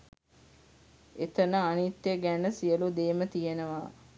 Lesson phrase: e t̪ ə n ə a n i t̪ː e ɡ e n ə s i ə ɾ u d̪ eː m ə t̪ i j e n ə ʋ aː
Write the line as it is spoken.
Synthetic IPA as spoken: e t̪ ə n ə a n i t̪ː e ɡ æ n ə s i ə l u d̪ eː m ə t̪ i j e n ə ʋ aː